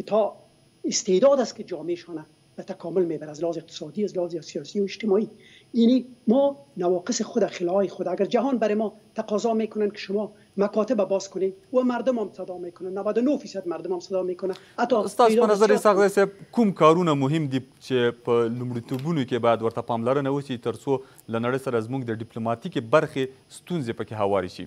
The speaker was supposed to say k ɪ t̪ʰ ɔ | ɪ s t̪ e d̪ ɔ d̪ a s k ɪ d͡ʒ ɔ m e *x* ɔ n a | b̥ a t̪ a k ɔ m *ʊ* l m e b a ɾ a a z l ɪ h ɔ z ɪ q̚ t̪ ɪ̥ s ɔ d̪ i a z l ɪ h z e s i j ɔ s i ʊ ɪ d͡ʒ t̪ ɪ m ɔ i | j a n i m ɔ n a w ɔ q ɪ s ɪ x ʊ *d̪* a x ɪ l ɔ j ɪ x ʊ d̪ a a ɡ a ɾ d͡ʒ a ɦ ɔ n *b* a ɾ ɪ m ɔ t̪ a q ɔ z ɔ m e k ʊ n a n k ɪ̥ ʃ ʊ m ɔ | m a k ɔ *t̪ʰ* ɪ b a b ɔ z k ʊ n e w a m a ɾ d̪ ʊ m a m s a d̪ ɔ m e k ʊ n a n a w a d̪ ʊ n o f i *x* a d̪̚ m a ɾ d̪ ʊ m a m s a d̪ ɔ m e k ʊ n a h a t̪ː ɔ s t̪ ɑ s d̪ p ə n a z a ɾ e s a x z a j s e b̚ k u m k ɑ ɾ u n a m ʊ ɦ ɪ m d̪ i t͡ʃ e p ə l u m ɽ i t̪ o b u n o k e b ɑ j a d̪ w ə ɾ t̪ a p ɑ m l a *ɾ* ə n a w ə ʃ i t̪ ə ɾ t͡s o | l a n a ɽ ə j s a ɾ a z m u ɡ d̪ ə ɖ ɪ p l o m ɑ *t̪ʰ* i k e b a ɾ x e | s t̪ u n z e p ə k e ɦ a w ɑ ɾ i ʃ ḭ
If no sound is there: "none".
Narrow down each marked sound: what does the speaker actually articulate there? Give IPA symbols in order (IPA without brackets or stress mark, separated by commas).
ʃ, ʊ, d̪, b, t̪, s, ɾ, t̪